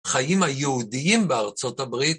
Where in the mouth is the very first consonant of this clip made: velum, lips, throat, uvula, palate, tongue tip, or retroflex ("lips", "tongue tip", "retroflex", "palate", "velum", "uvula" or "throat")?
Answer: uvula